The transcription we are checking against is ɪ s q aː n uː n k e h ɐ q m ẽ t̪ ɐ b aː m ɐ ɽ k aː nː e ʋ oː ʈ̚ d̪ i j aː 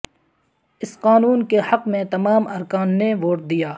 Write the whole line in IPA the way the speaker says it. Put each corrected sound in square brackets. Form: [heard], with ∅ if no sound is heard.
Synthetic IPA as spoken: ɪ s q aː n uː n k e h ɐ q m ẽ t̪ ɐ [m] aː m ɐ [ɾ] k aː nː e ʋ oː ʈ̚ d̪ i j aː

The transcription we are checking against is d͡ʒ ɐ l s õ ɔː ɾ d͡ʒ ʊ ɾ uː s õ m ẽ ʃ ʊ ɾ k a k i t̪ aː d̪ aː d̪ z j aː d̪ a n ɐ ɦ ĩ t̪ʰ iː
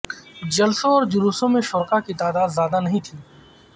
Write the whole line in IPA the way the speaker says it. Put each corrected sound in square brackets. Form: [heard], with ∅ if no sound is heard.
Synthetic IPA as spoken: d͡ʒ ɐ l s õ ɔː ɾ d͡ʒ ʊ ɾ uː s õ m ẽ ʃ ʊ ɾ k a k i t̪ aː d̪ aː d̪ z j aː d̪ a n ɐ ɦ ĩ t̪ʰ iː

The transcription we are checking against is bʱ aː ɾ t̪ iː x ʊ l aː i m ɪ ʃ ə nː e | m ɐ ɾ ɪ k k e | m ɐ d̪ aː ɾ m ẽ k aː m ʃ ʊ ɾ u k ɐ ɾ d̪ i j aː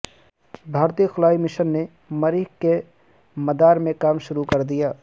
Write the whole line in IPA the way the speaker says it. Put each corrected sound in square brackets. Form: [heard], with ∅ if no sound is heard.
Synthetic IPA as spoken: bʱ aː ɾ t̪ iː x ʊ l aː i m ɪ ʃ ə nː e | m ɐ ɾ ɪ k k e | m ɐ d̪ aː ɾ m ẽ k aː m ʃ ʊ ɾ u k ɐ ɾ d̪ i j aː

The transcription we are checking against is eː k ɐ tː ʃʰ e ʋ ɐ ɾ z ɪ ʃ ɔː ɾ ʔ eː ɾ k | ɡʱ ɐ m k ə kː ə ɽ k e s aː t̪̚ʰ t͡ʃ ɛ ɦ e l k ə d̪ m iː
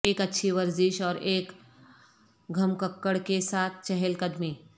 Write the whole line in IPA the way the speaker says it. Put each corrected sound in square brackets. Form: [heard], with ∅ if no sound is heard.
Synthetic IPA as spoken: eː k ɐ tː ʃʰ [i] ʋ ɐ ɾ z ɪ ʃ ɔː ɾ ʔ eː [∅] k | ɡʱ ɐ m k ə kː ə ɽ k e s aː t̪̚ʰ t͡ʃ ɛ ɦ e l k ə d̪ m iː

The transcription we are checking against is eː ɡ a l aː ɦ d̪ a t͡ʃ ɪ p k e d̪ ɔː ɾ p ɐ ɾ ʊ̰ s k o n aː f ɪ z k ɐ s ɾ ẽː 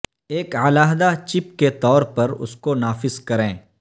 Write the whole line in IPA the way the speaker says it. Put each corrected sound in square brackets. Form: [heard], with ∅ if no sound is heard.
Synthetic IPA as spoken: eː [k] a l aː ɦ d̪ a t͡ʃ ɪ p k e [t̪] ɔː ɾ p ɐ ɾ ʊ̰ s k o n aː f ɪ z k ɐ [∅] ɾ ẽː

